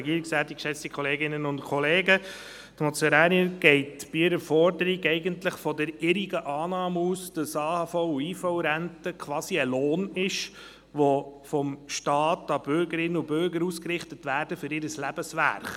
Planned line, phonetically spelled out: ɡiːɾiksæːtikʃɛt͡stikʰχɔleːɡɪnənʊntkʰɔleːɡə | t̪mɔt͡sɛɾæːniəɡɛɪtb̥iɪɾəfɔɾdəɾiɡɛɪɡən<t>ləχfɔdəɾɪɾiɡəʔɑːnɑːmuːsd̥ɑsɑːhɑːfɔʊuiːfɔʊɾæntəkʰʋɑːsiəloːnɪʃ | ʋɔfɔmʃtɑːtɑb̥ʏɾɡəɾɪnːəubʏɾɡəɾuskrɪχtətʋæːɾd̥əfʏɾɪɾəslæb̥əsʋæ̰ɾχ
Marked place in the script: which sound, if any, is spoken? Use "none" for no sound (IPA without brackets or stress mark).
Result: t